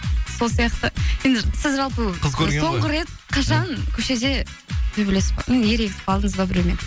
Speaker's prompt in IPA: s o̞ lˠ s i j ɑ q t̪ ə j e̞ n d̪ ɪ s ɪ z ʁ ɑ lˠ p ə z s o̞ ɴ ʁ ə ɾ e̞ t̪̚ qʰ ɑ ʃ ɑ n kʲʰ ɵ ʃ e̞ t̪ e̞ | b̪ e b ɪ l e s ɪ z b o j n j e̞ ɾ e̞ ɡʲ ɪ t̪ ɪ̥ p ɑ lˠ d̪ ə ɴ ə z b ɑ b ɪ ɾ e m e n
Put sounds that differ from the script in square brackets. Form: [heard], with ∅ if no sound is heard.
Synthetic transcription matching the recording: s o̞ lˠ s i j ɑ q t̪ ə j e̞ n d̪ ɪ s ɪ z [ʒ] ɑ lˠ p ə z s o̞ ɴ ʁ ə ɾ e̞ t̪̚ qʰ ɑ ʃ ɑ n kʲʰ ɵ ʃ e̞ [d̪] e̞ | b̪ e b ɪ l e s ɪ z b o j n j e̞ ɾ e̞ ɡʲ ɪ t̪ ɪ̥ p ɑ lˠ d̪ ə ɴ ə z b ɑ b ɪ ɾ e m e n